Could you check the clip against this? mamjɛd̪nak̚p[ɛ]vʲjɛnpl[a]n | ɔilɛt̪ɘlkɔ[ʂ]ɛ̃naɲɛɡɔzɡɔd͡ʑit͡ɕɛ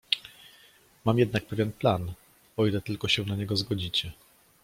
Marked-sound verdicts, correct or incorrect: correct, correct, incorrect

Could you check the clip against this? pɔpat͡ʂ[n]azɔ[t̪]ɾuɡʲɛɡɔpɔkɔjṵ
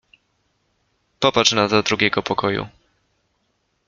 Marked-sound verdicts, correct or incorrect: correct, incorrect

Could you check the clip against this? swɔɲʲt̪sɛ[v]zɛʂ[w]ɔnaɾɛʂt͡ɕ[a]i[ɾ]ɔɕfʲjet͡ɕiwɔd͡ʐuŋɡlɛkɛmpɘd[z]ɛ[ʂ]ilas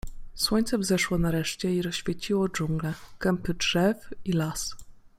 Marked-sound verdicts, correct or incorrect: correct, correct, incorrect, correct, incorrect, incorrect

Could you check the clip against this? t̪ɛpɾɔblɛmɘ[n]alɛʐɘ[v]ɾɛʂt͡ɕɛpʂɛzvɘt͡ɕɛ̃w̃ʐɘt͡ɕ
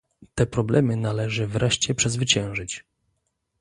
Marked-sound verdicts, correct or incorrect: correct, correct

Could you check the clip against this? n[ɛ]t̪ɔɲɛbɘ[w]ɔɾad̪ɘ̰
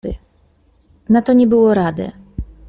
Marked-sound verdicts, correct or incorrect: incorrect, correct

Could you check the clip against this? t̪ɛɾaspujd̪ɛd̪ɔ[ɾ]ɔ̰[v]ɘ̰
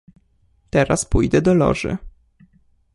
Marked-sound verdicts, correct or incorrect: incorrect, incorrect

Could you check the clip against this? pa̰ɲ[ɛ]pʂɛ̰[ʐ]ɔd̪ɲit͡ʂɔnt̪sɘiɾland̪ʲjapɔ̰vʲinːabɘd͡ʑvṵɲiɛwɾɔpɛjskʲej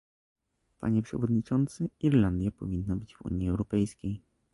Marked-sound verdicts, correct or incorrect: correct, incorrect

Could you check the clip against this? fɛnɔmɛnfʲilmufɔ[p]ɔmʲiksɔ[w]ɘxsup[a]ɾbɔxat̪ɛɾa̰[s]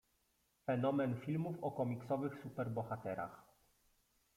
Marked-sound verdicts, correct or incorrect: incorrect, incorrect, incorrect, incorrect

